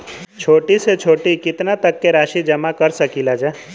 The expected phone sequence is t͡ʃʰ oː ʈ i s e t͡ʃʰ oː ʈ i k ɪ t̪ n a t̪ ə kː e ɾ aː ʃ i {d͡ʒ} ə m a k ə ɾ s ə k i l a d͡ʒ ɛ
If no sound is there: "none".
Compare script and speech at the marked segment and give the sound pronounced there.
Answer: d͡ʒ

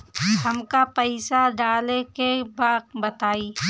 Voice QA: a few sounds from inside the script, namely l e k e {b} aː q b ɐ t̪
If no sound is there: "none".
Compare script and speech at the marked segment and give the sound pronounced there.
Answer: b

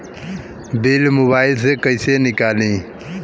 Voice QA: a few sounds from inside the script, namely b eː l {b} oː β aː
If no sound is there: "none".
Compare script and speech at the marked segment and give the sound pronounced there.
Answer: m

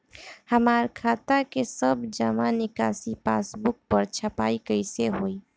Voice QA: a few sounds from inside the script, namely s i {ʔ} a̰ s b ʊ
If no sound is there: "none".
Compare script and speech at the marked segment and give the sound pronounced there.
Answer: p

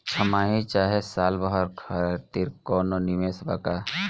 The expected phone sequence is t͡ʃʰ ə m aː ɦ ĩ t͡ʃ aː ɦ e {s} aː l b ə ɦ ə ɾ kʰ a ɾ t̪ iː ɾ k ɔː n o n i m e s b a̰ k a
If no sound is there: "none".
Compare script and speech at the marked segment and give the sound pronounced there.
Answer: s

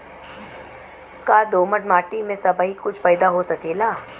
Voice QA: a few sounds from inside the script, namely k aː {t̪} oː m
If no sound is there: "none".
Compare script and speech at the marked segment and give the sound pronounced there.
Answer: d̪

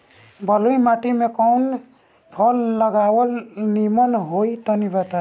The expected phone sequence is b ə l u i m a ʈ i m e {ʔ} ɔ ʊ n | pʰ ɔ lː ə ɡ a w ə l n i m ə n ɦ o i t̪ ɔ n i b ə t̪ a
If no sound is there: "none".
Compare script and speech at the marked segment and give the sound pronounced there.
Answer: k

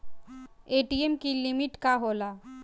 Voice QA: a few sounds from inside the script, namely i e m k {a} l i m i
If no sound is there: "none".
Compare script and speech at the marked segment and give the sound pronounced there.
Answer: i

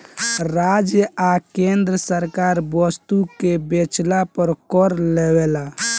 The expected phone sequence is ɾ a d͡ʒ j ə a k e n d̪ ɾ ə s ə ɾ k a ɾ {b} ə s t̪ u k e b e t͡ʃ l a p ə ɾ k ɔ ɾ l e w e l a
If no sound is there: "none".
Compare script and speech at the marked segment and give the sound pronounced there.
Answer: b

